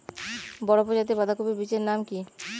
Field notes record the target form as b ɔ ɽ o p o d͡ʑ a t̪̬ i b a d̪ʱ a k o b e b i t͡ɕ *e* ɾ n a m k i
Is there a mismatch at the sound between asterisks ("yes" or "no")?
no